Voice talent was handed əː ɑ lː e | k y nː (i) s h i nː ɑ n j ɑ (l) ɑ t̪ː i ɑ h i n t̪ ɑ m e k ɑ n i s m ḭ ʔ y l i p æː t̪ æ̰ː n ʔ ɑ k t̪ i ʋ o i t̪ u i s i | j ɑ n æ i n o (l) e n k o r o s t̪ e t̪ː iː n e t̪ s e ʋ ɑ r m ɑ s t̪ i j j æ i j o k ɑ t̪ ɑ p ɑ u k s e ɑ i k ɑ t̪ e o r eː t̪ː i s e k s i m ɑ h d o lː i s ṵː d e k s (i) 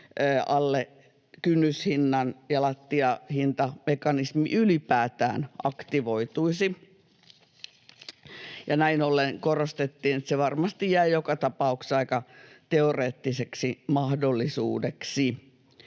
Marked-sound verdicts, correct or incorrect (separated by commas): incorrect, correct, incorrect, correct